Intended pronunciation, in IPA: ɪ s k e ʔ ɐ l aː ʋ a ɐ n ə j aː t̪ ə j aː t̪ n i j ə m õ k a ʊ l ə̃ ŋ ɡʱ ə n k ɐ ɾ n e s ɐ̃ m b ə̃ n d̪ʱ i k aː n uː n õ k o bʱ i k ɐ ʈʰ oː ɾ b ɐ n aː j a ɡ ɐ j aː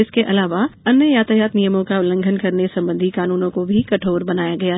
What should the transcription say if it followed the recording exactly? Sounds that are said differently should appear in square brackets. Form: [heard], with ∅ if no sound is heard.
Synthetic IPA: ɪ s k e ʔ ɐ l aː ʋ a ɐ n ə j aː t̪ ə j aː t̪ n i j ə m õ k a ʊ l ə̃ ŋ ɡʱ ə n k ɐ ɾ n e s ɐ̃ m b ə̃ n d̪ʱ i k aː n uː n õ k o bʱ i k ɐ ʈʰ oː ɾ b ɐ n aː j a ɡ ɐ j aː

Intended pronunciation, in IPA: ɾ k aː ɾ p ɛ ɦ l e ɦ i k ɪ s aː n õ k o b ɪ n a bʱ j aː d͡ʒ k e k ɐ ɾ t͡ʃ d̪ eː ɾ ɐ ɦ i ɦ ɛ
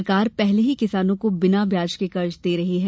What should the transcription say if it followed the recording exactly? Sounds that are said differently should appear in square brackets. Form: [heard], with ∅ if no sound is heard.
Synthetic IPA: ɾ k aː ɾ p ɛ ɦ l e ɦ i k ɪ s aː n õ k o b ɪ n a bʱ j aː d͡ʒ k e k ɐ ɾ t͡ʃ d̪ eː ɾ ɐ ɦ i ɦ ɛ

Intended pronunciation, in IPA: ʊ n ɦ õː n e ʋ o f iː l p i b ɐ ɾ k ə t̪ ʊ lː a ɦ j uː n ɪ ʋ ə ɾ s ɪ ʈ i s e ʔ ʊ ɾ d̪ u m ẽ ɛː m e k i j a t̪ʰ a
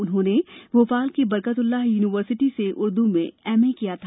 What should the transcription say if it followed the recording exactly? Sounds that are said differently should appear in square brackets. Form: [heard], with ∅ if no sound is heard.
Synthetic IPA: ʊ n ɦ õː n e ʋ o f [aː] l [k] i b ɐ ɾ k ə t̪ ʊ lː a ɦ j uː n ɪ ʋ ə ɾ s ɪ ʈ i s e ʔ ʊ ɾ d̪ u m ẽ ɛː m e k i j a t̪ʰ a

